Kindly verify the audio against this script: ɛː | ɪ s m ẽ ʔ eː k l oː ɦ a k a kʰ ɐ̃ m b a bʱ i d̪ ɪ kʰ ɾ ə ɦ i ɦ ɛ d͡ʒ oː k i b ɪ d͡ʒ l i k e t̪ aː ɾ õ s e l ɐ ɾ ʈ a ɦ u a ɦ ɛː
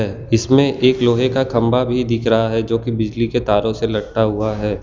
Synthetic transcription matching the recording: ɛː | ɪ s m ẽ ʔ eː k l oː ɦ e k a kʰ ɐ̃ m b a bʱ i d̪ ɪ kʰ ɾ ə ɦ a ɦ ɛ d͡ʒ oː k i b ɪ d͡ʒ l i k e t̪ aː ɾ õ s e l ɐ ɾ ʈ a ɦ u a ɦ ɛː